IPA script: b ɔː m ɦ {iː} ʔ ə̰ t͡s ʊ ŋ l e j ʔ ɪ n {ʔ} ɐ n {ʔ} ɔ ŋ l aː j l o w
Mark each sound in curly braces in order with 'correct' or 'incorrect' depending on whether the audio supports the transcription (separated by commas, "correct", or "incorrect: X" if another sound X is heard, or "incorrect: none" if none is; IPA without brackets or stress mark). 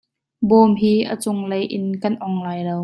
correct, incorrect: k, correct